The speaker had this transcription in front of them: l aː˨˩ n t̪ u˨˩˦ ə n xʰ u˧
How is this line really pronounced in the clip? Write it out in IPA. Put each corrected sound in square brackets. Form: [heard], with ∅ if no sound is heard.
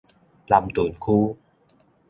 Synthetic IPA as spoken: l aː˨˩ [m] t̪ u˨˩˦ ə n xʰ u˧